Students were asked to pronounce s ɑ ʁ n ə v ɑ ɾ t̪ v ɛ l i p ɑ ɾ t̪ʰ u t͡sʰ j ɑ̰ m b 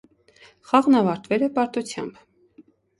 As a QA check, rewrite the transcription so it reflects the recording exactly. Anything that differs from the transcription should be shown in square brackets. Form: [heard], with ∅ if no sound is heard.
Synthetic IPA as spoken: [χ] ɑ ʁ n [ɑ] v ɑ ɾ t̪ v ɛ l [ɛ] p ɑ ɾ [t̪] u t͡sʰ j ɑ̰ m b